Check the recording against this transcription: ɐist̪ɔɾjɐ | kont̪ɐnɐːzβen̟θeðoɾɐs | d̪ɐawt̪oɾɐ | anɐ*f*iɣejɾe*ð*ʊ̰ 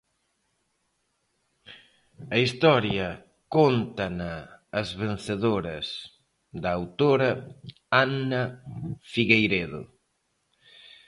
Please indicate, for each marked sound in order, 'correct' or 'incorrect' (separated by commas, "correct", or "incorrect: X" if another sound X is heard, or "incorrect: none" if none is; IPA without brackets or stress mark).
correct, correct